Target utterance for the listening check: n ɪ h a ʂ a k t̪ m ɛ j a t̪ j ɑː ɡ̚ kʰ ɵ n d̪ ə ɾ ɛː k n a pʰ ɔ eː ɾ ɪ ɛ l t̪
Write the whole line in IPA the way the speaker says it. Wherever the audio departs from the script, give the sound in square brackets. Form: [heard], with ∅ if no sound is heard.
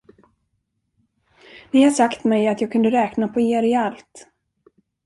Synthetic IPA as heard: n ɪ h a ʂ a k t̪ m ɛ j a t̪ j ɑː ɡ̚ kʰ ɵ n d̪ ə ɾ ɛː k n a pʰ ɔ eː ɾ ɪ [a] l t̪